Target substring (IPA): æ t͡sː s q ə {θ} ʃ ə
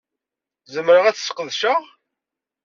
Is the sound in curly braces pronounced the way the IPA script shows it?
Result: no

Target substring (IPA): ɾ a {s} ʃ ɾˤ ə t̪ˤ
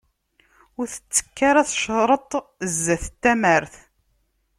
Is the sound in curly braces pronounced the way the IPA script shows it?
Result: no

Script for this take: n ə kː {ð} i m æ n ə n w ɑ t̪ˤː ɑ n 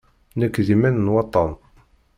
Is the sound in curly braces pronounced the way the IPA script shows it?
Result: yes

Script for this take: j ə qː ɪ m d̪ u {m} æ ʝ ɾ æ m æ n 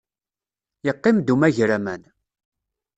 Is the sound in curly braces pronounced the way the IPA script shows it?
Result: yes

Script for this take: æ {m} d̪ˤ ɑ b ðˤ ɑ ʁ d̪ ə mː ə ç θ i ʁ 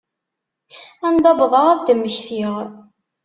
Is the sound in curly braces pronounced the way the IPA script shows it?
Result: no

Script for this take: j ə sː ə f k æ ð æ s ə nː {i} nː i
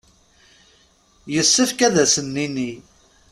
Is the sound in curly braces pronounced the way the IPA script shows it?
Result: yes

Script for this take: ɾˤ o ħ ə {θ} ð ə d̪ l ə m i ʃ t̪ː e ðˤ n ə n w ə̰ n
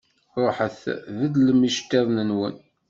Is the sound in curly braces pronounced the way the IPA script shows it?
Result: yes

